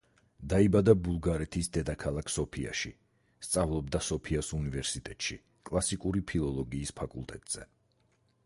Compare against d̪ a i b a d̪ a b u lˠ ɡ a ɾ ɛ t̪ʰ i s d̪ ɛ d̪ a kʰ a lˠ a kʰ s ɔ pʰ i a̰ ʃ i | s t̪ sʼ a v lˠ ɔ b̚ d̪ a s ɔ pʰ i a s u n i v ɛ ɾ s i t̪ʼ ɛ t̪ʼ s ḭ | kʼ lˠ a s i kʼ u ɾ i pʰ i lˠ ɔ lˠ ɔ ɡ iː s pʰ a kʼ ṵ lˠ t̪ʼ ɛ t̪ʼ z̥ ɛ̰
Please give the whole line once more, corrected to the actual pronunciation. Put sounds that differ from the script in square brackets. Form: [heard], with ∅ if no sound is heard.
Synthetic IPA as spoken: d̪ a i b a d̪ a b u lˠ ɡ a ɾ ɛ t̪ʰ i s d̪ ɛ d̪ a kʰ a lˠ a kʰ s ɔ pʰ i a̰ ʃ i | s t̪ sʼ a v lˠ ɔ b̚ d̪ a s ɔ pʰ i a s u n i v ɛ ɾ s i t̪ʼ ɛ t̪ʼ [ʃ] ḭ | kʼ lˠ a s i kʼ u ɾ i pʰ i lˠ ɔ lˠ ɔ ɡ iː s pʰ a kʼ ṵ lˠ t̪ʼ ɛ t̪ʼ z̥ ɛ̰